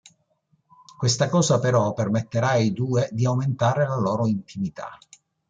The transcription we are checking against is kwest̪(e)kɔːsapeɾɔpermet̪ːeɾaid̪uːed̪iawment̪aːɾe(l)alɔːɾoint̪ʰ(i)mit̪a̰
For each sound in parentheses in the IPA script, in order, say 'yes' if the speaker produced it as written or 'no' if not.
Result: no, yes, yes

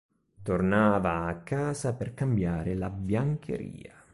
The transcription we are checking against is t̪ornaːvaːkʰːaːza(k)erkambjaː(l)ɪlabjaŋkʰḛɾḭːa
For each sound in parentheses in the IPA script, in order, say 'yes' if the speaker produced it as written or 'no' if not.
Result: no, no

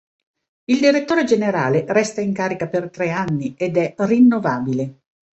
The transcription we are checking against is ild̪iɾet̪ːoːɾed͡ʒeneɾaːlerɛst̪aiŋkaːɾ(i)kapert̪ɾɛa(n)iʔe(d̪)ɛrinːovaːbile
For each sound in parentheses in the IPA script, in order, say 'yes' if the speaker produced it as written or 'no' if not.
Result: yes, no, yes

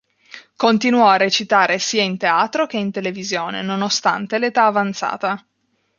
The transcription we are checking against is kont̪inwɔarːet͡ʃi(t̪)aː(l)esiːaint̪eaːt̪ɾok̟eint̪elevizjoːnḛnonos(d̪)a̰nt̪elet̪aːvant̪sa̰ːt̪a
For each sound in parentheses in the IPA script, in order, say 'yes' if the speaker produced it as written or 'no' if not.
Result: yes, no, no

